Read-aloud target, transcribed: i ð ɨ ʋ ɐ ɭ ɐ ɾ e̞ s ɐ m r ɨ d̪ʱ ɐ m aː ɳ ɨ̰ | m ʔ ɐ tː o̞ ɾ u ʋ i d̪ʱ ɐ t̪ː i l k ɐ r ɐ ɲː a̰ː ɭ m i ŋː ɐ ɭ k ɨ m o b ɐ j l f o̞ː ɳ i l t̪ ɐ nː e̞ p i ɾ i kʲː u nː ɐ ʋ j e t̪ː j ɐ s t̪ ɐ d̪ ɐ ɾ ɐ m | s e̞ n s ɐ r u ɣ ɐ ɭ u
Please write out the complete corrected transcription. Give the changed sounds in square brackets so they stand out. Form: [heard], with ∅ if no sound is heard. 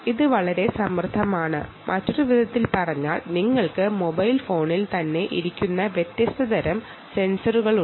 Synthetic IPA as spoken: i ð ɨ ʋ ɐ ɭ ɐ ɾ e̞ s ɐ m r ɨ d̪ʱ ɐ m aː ɳ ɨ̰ | m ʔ ɐ tː o̞ ɾ u ʋ i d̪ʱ ɐ t̪ː i l [p] ɐ r ɐ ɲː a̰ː ɭ [n] i ŋː ɐ ɭ k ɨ m o b ɐ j l f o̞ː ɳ i l t̪ ɐ nː e̞ [ʔ] i ɾ i kʲː u nː ɐ ʋ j e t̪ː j ɐ s t̪ ɐ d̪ ɐ ɾ ɐ m | s e̞ n s ɐ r u ɣ ɐ ɭ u